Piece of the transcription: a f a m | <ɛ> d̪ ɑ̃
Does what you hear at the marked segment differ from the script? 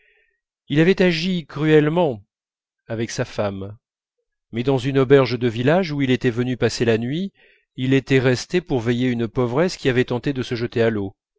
no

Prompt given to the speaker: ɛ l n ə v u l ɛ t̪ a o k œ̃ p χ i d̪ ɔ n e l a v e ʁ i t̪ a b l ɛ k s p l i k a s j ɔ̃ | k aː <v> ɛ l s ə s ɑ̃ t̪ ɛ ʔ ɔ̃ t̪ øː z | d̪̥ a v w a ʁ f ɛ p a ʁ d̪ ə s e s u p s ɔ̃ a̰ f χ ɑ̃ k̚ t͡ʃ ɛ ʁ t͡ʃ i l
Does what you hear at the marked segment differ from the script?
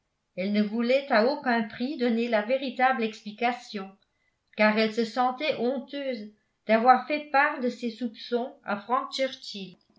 yes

